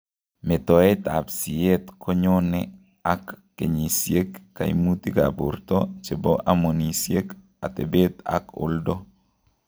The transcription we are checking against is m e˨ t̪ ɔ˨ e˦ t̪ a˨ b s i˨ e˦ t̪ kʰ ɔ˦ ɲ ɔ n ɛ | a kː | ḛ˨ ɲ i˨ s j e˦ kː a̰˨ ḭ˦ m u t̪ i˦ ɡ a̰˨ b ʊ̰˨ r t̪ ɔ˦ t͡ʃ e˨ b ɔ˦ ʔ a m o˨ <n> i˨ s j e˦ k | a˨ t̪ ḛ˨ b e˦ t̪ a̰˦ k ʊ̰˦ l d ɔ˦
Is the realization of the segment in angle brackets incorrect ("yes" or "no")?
no